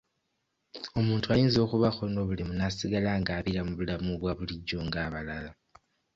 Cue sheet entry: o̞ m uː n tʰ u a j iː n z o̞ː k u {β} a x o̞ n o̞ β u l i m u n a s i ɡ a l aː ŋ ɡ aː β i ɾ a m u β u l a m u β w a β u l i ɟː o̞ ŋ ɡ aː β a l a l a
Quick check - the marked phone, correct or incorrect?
correct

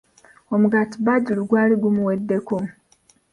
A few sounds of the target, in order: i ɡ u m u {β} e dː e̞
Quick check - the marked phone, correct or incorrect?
incorrect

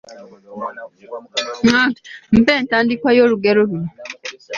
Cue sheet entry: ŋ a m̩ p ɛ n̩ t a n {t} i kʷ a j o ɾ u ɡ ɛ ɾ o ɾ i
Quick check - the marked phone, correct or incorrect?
incorrect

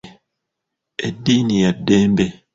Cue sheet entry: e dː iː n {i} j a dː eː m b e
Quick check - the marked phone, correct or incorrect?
correct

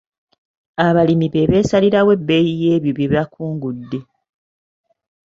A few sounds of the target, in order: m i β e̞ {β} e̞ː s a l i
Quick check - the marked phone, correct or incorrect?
correct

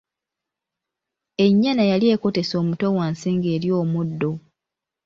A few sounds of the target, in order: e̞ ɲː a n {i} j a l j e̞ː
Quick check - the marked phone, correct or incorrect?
incorrect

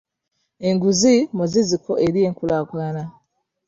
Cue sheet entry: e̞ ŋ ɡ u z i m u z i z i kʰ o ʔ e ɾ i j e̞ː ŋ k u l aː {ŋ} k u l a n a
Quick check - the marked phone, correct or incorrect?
incorrect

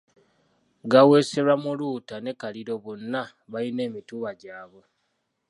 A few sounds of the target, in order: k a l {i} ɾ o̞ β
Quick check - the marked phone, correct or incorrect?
correct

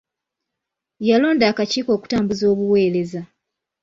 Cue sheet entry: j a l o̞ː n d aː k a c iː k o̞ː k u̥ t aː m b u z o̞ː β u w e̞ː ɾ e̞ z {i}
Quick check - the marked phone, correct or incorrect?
incorrect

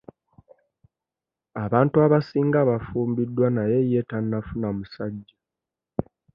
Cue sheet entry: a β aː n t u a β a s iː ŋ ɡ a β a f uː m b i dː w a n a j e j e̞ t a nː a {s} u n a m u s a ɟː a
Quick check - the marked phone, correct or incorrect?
incorrect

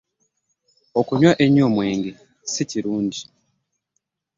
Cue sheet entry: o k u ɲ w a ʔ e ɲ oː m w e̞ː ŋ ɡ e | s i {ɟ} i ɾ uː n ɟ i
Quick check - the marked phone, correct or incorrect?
incorrect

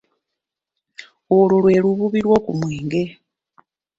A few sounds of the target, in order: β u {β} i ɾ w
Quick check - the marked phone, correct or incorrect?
correct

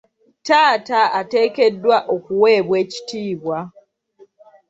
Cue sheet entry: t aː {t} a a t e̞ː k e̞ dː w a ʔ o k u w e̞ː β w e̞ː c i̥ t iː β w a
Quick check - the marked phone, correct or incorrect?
correct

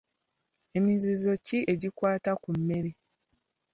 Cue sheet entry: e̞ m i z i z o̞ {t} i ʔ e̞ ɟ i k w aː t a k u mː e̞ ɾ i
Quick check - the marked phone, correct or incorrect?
incorrect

